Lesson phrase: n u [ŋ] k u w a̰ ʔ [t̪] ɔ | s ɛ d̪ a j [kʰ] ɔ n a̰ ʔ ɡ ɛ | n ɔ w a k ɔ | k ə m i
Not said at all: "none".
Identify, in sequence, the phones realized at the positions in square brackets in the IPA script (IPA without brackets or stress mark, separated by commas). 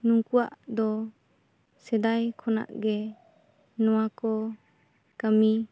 ŋ, d̪, kʰ